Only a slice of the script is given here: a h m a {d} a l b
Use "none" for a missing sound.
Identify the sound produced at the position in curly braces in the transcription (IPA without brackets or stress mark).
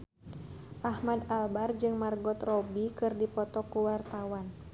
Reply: d